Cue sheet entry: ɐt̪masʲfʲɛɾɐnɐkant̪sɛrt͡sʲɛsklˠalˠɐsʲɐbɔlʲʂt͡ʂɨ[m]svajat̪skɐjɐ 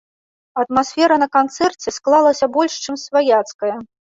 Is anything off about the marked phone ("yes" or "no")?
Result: no